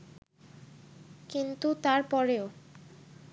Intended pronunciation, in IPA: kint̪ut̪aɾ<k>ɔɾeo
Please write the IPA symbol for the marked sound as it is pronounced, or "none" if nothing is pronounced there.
p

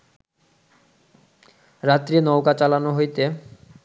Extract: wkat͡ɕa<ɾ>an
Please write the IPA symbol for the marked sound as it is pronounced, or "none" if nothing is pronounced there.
l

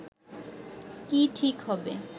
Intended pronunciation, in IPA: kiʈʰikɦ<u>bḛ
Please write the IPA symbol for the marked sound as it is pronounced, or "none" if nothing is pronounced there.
ɔ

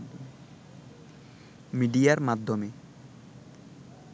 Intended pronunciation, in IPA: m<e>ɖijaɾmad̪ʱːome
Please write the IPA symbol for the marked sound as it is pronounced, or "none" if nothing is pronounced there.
i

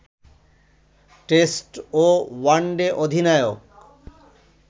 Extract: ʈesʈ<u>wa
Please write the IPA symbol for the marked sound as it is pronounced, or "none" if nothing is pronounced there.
o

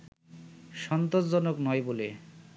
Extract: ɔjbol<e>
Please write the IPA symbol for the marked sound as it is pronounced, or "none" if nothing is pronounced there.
e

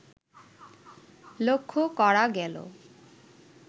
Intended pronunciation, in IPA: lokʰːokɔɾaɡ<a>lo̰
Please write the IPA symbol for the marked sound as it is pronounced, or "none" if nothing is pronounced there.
ɛ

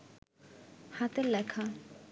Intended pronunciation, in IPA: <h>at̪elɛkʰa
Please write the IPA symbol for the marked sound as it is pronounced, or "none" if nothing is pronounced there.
h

